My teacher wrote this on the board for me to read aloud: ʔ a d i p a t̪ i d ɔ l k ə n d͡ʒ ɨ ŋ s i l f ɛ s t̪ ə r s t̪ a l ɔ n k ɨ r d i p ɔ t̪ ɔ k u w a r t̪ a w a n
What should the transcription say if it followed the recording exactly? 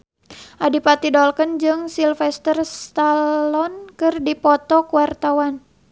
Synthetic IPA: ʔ a d i p a t̪ i d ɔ l k ə n d͡ʒ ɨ ŋ s i l f ɛ s t̪ ə r s t̪ a l ɔ n k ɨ r d i p ɔ t̪ ɔ k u w a r t̪ a w a n